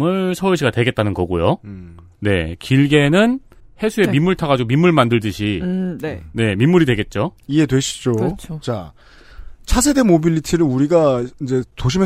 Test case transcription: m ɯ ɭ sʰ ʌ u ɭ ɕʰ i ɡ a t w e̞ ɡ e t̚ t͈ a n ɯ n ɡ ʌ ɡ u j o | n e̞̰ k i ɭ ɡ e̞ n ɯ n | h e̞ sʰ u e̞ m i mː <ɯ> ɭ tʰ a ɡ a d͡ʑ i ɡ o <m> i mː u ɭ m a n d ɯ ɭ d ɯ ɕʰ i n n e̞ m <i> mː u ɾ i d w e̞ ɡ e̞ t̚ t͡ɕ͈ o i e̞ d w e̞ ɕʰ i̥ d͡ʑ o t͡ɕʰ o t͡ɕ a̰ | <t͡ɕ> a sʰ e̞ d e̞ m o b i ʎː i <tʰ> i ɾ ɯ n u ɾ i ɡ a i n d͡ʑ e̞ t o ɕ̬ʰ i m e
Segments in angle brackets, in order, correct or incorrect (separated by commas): incorrect, correct, correct, incorrect, correct